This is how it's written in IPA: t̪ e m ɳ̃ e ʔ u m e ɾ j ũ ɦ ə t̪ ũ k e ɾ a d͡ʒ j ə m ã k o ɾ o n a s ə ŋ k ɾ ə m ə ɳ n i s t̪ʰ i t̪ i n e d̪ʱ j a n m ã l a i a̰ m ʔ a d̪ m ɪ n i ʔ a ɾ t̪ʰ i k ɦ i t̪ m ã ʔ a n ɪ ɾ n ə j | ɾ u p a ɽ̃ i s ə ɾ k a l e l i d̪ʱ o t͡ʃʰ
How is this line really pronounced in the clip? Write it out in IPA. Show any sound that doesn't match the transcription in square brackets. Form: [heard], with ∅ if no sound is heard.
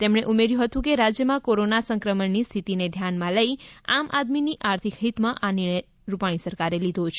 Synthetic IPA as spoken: t̪ e m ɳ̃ e ʔ u m e ɾ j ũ ɦ ə t̪ ũ k e ɾ a d͡ʒ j ə m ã k o ɾ o n a s ə ŋ k ɾ ə m ə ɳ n i s t̪ʰ i t̪ i n e d̪ʱ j a n m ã l [ə] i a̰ m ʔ a d̪ m [i] n i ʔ a ɾ t̪ʰ i k ɦ i t̪ m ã ʔ a n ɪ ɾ [ɳ] ə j | ɾ u p a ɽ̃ i s ə ɾ k a [ɾ] e l i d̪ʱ o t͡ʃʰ